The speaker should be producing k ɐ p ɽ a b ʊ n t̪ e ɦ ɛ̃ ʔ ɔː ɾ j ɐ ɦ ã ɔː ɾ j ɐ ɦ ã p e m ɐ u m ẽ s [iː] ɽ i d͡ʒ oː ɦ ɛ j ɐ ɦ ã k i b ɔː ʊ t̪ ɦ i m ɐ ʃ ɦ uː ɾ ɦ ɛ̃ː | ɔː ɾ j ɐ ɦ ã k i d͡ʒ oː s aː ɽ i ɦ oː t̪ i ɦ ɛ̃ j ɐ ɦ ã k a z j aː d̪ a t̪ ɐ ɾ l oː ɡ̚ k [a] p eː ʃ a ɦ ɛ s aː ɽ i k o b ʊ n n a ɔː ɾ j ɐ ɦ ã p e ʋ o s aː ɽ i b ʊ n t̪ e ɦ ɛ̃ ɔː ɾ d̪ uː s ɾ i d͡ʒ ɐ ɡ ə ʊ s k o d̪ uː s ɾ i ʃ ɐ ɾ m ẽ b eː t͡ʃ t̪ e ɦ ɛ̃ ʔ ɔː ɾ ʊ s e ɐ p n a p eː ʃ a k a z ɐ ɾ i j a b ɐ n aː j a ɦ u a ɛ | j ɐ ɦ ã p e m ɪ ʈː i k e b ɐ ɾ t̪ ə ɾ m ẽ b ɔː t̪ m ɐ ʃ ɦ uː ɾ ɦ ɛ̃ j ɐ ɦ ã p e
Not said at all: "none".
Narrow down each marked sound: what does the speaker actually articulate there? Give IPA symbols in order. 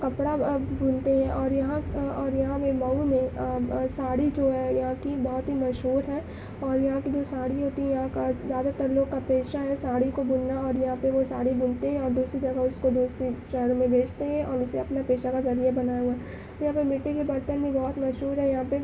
aː, a

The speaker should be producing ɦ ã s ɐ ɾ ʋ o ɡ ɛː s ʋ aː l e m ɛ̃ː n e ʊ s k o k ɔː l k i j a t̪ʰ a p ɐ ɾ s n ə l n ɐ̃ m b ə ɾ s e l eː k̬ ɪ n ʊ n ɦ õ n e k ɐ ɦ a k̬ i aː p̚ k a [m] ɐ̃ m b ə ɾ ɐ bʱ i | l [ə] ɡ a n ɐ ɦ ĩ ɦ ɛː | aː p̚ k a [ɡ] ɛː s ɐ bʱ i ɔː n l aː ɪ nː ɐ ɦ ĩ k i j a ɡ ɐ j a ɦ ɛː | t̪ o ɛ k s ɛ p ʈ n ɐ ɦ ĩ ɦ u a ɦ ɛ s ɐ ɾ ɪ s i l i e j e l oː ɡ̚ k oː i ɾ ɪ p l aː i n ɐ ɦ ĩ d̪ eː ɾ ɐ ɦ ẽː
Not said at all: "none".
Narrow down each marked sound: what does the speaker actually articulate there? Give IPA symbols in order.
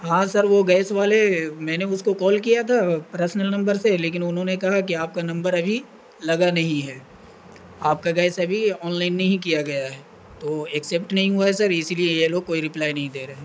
n, ɐ, ɡ

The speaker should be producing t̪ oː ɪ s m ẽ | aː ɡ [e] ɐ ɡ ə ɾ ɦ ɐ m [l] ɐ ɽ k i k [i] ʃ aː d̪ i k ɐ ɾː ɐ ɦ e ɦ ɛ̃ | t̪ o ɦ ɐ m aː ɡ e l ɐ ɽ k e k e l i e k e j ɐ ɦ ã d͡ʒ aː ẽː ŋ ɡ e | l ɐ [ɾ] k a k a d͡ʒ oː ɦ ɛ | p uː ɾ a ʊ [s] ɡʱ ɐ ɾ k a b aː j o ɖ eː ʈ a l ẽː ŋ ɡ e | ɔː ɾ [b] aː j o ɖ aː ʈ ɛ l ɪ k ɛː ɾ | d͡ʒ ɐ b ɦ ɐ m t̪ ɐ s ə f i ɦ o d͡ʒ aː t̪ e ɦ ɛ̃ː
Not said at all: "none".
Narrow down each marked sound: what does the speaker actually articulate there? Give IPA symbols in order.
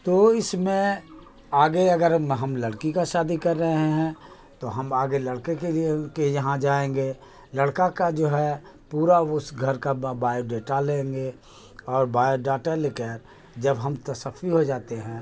e, l, a, ɽ, s, b

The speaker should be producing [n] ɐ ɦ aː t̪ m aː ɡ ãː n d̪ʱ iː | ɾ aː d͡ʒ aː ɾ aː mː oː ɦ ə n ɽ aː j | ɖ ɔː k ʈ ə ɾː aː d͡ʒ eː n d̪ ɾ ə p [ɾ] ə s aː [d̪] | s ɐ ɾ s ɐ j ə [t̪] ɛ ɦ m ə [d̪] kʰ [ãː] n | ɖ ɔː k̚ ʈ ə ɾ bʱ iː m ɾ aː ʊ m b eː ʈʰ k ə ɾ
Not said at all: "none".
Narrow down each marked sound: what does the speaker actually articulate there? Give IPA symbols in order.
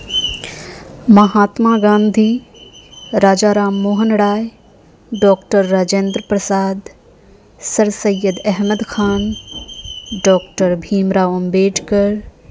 m, ɾ, d̪, d̪, d̪, aː

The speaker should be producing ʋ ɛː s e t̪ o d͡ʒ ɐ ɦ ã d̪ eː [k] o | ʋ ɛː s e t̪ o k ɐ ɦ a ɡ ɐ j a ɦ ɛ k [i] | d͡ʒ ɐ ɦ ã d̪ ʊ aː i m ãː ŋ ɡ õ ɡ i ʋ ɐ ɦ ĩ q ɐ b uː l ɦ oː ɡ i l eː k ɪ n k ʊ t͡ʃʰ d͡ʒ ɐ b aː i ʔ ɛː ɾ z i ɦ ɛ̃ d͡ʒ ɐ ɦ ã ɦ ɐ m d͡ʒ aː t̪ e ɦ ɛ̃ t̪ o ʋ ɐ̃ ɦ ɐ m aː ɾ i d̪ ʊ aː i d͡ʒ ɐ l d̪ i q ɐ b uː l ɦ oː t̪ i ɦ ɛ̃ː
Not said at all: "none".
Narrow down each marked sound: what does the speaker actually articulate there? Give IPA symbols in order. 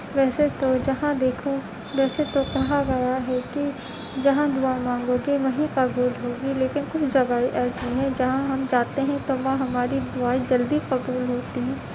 kʰ, i

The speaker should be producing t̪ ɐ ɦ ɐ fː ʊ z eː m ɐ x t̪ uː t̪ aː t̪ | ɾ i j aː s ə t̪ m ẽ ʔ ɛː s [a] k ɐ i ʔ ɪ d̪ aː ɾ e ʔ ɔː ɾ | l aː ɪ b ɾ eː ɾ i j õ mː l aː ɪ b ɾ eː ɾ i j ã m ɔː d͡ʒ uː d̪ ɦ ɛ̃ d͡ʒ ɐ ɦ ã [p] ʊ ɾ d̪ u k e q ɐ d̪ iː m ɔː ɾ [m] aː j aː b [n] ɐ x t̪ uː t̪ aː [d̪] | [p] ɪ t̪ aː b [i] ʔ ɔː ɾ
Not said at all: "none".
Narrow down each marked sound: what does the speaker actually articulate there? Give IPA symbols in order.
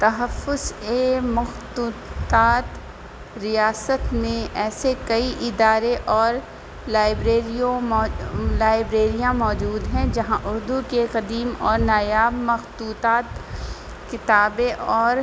e, ʔ, n, m, t̪, k, e

